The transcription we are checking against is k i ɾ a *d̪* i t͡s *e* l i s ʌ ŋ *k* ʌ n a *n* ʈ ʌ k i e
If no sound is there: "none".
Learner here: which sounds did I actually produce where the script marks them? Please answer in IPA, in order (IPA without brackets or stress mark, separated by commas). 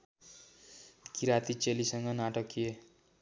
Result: t̪, e, ɡ, none